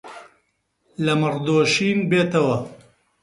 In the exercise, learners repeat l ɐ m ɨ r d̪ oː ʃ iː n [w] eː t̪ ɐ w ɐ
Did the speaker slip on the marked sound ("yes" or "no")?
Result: yes